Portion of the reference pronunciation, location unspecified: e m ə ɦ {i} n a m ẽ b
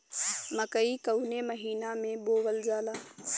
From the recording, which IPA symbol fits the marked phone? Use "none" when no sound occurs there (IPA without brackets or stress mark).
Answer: iː